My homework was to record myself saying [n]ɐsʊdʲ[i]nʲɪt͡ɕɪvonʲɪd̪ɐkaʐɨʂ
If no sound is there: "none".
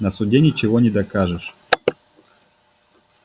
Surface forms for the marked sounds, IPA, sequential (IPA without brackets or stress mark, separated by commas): n, e